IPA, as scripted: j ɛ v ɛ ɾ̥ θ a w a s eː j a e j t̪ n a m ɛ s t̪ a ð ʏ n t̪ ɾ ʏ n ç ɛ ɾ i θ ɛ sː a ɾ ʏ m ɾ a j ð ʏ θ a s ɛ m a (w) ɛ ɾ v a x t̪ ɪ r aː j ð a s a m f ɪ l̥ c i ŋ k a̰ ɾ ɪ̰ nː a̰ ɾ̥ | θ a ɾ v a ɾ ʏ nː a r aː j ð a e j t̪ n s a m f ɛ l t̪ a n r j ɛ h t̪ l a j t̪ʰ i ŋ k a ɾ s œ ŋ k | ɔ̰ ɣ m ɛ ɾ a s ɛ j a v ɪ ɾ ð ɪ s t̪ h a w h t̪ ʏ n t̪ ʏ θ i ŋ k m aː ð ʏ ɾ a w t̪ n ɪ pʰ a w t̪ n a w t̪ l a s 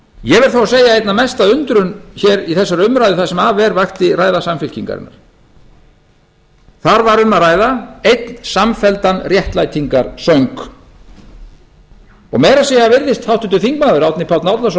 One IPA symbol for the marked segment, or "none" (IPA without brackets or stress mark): v